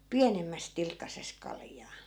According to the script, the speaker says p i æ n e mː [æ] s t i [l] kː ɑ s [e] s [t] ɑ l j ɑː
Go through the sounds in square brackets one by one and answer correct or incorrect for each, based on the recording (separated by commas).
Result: correct, correct, correct, incorrect